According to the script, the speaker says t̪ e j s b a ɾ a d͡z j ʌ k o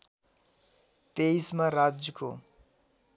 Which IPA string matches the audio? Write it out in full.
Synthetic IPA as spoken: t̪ e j s m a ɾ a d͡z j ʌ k o